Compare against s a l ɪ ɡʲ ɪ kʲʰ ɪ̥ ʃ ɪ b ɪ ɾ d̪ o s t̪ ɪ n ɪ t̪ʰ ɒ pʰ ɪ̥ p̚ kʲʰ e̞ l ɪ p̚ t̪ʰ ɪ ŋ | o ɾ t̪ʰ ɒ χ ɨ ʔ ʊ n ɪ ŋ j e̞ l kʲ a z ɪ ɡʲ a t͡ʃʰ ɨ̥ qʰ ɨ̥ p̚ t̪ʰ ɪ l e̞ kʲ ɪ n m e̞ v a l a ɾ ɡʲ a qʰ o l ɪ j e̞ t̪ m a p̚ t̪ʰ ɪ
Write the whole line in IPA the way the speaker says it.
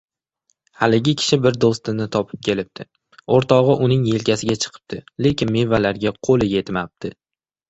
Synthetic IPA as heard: h a l ɪ ɡʲ ɪ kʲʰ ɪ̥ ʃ ɪ b ɪ ɾ d̪ o s t̪ ɪ n ɪ t̪ʰ ɒ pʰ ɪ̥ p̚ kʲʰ e̞ l ɪ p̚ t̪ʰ ɪ | o ɾ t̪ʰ ɒ ʁ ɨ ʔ ʊ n ɪ ŋ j e̞ l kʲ a s ɪ ɡʲ a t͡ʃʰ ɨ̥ qʰ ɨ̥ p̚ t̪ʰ ɪ l e̞ kʲ ɪ n m e̞ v a l a ɾ ɡʲ a qʰ o l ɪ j e̞ t̪ m a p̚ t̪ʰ ɪ